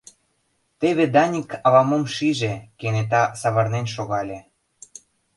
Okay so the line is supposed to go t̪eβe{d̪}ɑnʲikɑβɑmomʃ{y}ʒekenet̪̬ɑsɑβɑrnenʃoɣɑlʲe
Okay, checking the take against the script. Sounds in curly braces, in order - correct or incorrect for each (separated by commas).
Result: correct, incorrect